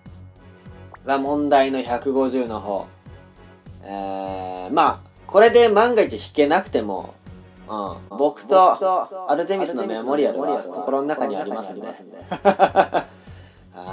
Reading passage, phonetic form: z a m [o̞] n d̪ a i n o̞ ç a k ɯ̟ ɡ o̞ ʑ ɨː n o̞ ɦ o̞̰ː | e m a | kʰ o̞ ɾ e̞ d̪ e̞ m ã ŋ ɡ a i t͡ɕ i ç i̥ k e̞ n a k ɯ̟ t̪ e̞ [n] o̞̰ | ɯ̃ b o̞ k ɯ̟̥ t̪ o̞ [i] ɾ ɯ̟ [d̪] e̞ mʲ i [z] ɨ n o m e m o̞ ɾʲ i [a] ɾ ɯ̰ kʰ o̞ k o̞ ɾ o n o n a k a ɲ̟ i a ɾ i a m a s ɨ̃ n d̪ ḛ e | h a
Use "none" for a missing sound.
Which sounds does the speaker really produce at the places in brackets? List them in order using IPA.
õ̞, m, a, t̪, s, a

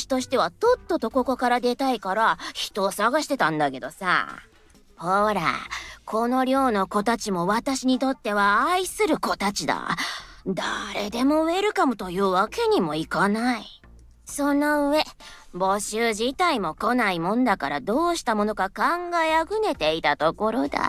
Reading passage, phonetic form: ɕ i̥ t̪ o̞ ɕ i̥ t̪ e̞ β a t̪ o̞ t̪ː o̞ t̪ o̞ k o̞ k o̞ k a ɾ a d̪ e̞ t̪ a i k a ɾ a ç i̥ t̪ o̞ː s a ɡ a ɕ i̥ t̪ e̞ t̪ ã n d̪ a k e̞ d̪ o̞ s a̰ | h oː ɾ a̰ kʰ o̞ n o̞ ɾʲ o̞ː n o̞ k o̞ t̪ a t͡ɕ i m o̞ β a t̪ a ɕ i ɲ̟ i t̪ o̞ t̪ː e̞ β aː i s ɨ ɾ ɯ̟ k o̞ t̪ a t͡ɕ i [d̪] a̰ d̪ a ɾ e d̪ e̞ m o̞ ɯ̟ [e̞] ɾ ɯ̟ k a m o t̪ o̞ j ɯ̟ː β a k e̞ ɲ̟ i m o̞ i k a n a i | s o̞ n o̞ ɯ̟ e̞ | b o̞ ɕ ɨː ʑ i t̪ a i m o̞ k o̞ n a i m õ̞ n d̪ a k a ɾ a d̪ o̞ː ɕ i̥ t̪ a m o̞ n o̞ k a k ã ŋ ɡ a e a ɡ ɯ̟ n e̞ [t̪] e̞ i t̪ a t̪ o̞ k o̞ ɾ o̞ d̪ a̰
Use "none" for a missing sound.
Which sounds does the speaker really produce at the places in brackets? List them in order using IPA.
d̪, e̞, t̪

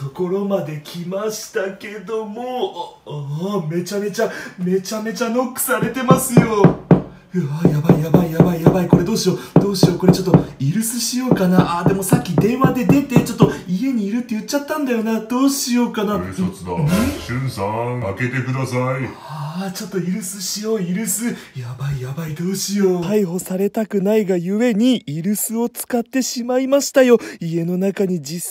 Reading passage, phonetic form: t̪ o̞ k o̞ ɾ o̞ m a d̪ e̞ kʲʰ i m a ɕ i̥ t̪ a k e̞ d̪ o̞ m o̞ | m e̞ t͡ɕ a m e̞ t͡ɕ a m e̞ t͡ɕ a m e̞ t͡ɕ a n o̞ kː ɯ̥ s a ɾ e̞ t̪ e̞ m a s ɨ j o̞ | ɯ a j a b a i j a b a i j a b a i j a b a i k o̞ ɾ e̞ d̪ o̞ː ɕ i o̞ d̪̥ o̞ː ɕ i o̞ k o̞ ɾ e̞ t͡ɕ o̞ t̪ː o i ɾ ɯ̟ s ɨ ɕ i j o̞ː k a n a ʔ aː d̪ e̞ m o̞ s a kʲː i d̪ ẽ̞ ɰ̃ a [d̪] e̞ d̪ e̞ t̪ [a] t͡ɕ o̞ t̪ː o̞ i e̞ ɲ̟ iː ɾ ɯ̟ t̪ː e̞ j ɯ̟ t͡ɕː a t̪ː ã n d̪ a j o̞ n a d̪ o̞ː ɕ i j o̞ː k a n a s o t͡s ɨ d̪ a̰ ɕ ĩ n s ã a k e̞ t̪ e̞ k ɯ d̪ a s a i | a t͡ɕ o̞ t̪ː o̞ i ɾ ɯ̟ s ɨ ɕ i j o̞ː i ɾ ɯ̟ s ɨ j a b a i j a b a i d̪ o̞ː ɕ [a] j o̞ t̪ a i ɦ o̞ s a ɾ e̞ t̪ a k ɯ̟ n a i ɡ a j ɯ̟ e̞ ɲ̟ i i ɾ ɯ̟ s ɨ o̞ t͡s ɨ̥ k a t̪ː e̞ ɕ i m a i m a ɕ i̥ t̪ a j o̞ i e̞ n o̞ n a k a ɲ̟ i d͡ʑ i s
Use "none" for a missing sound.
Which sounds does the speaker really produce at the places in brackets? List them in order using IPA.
d̪, e, i

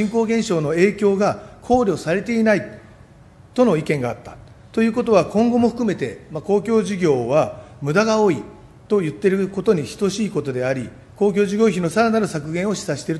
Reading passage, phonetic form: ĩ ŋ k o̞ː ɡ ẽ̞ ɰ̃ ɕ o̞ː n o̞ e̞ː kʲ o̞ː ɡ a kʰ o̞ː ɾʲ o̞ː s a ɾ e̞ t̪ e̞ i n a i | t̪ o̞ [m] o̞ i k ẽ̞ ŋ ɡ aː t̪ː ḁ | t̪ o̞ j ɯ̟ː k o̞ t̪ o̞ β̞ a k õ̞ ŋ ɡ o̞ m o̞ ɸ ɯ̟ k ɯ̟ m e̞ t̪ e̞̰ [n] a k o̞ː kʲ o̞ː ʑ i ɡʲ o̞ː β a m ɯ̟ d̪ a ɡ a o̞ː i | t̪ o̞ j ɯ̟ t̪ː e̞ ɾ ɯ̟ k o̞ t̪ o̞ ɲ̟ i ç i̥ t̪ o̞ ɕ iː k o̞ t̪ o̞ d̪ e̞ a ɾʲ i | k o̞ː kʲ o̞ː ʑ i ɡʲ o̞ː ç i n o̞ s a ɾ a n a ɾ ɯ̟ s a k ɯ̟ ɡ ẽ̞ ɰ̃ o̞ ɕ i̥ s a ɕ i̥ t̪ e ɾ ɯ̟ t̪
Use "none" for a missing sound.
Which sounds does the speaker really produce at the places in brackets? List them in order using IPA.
n, m

